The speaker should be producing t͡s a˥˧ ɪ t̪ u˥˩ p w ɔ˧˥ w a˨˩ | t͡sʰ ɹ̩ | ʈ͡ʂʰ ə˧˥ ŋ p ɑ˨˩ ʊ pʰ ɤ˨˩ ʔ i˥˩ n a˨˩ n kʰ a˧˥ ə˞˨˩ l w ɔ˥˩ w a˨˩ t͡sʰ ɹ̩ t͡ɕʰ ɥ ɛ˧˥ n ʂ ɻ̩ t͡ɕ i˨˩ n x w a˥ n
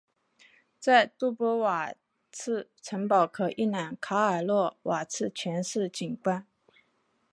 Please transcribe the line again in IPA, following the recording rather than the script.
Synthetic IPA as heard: t͡s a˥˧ ɪ t̪ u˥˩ p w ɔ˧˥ w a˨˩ | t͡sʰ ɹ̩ | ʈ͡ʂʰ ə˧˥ ŋ p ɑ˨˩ ʊ kʰ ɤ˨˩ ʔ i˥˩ n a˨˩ n kʰ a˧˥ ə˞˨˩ l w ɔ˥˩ w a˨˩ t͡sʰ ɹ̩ t͡ɕʰ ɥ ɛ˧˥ n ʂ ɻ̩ t͡ɕ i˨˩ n k w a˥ n

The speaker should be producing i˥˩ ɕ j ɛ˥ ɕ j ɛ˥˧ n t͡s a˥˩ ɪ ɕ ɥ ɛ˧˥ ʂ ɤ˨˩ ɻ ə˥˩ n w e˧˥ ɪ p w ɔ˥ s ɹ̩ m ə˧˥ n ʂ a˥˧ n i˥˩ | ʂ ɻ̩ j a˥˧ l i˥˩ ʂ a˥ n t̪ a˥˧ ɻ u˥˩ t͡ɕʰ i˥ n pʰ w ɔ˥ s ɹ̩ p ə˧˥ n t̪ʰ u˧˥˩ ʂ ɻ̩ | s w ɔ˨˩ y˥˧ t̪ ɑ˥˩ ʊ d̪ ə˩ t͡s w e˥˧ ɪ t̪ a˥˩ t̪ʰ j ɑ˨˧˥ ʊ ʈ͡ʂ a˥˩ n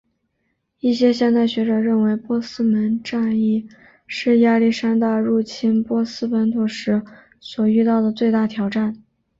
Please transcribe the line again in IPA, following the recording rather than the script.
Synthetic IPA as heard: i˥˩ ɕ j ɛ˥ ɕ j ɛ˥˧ n t͡s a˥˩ ɪ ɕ ɥ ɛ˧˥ ʈ͡ʂ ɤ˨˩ ɻ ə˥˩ n w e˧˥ ɪ p w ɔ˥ s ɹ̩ m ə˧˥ n ʈ͡ʂ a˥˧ n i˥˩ | ʂ ɻ̩ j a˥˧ l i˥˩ ʂ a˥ n t̪ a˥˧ ɻ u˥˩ t͡ɕʰ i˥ n p w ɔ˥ s ɹ̩ p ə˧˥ n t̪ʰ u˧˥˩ ʂ ɻ̩ | s w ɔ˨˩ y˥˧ t̪ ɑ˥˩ ʊ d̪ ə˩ t͡s w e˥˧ ɪ t̪ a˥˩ t̪ʰ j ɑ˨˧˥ ʊ ʈ͡ʂ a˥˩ n

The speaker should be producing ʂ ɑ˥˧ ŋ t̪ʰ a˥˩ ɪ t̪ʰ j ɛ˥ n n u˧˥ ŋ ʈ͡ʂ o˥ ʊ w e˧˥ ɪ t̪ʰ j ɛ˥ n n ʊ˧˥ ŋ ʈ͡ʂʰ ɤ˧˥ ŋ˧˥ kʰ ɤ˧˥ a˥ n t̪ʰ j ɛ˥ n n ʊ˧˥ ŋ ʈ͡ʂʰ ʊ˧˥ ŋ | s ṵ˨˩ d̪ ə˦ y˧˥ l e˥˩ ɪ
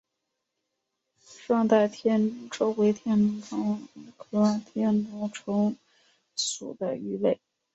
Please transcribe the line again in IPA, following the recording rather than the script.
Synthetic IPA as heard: ʂ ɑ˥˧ ŋ t̪ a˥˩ ɪ t̪ʰ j ɛ˥ n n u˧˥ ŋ ʈ͡ʂ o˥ ʊ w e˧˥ ɪ t̪ʰ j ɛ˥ n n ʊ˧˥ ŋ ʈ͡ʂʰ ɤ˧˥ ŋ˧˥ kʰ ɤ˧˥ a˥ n t̪ʰ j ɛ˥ n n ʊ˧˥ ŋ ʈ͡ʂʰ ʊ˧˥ ŋ | s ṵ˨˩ d̪ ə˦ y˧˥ l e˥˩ ɪ

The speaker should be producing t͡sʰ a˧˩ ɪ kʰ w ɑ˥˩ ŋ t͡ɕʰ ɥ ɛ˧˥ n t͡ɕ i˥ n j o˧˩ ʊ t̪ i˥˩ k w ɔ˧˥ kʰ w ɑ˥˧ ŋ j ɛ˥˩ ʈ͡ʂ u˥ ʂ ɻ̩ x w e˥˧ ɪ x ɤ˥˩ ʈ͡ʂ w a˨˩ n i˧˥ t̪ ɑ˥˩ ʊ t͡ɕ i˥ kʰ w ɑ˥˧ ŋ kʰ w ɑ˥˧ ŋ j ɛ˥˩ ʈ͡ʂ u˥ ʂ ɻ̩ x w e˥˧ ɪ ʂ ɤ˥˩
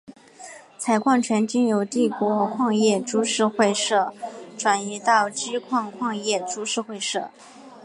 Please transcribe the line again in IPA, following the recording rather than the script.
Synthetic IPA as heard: t͡sʰ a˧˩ ɪ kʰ w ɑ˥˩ ŋ t͡ɕʰ ɥ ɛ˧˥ n t͡ɕ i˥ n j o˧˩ ʊ t̪ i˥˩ k w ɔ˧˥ kʰ w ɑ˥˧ ŋ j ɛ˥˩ ʈ͡ʂ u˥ ʂ ɻ̩ x w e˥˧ ɪ ʂ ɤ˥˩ ʈ͡ʂ w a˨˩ n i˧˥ t̪ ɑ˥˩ ʊ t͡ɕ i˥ kʰ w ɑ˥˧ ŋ kʰ w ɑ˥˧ ŋ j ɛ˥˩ ʈ͡ʂ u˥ ʂ ɻ̩ x w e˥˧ ɪ ʂ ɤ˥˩

